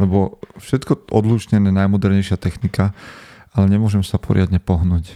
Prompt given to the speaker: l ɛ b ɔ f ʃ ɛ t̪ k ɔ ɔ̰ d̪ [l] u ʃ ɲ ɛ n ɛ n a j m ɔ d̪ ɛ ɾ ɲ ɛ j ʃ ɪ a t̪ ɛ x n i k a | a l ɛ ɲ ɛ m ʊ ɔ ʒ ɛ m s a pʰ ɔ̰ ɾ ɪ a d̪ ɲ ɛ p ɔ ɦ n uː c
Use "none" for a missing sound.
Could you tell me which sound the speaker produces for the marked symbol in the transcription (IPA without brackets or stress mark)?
l